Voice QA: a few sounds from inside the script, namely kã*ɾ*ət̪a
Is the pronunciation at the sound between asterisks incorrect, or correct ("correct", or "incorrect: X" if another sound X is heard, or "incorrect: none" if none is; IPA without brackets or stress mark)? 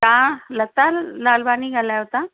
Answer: incorrect: l